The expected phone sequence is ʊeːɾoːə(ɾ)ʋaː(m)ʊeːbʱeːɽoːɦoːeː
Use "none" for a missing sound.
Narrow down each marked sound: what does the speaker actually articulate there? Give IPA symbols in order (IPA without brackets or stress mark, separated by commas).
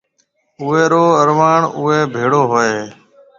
ɾ, ɳ